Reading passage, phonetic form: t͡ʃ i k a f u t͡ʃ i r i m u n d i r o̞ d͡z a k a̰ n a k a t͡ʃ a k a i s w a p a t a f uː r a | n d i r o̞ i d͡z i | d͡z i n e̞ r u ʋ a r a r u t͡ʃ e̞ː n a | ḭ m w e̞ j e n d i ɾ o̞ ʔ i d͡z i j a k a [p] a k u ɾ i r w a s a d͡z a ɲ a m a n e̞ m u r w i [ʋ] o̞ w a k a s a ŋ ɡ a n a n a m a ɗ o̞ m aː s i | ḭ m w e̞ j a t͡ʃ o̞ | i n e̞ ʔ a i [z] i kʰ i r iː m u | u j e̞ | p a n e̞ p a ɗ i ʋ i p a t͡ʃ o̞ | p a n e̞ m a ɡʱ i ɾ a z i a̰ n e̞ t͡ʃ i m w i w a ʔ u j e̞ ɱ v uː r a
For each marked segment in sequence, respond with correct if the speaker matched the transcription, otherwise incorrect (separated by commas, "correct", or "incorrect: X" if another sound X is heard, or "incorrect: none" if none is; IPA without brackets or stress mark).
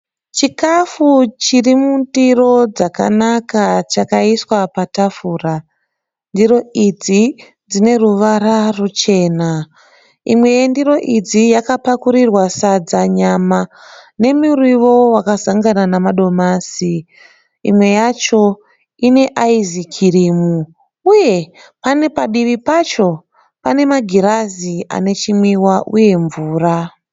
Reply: correct, correct, correct